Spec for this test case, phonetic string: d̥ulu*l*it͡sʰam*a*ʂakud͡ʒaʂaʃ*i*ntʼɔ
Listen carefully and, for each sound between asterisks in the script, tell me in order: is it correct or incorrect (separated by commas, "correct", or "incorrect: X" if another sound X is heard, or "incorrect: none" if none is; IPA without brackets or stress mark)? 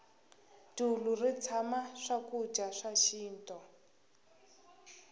incorrect: r, correct, incorrect: iː